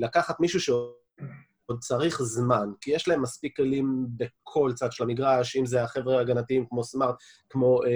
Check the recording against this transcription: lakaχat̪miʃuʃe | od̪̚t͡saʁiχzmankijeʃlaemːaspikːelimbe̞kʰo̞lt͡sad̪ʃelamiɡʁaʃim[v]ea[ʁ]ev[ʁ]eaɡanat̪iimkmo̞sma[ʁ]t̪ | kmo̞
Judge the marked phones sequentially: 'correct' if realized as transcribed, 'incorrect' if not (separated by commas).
incorrect, incorrect, correct, correct